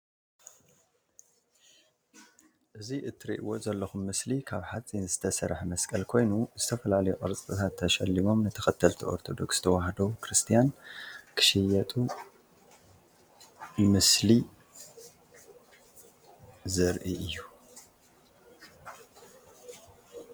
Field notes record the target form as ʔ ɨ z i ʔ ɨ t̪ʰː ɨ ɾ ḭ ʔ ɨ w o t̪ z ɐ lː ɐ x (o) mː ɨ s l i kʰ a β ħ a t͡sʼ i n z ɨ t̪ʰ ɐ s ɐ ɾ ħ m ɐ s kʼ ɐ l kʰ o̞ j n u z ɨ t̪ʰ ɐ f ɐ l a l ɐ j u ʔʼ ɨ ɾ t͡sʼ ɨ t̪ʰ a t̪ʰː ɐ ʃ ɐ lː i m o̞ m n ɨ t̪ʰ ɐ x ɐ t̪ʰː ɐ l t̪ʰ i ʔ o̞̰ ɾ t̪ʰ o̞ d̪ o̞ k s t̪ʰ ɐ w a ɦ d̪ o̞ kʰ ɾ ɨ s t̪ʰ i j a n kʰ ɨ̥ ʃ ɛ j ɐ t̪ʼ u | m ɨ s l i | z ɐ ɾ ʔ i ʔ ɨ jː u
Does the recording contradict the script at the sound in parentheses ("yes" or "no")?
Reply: yes